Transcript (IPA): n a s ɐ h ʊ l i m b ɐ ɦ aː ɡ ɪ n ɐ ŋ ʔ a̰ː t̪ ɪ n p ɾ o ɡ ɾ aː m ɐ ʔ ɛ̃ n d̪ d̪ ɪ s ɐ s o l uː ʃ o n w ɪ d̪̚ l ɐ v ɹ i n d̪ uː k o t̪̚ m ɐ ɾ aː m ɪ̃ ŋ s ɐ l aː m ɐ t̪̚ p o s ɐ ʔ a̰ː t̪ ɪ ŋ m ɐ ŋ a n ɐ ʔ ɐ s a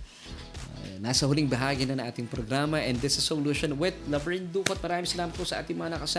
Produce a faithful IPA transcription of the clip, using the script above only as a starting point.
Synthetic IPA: n a s ɐ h ʊ l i ŋ b ɐ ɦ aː ɡ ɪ n ɐ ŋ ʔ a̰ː t̪ ɪ ŋ p ɾ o ɡ ɾ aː m ɐ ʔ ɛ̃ n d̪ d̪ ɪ s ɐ s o l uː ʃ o n w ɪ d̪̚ l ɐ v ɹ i n d̪ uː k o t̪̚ m ɐ ɾ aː m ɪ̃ ŋ s ɐ l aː m ɐ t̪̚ p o s ɐ ʔ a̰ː t̪ ɪ ŋ m ɐ ŋ a n ɐ k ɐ s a